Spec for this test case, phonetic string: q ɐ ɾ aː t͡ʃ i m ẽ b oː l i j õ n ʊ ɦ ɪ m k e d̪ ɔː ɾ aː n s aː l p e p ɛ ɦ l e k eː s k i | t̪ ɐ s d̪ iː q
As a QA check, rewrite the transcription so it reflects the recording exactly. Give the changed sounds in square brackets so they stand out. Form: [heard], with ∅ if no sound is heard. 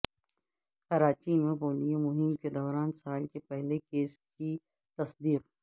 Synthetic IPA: q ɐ ɾ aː t͡ʃ i m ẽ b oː l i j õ [m] ʊ ɦ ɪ m k e d̪ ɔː ɾ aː n s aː l [k] e p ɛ ɦ l e k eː s k i | t̪ ɐ s d̪ iː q